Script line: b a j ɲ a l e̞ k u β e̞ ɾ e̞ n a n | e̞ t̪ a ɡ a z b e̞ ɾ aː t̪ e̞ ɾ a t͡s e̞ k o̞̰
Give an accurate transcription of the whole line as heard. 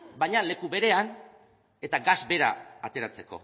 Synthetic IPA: b a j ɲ a l e̞ k u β e̞ ɾ e̞ a n | e̞ t̪ a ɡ a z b e̞ ɾ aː t̪ e̞ ɾ a t͡s e̞ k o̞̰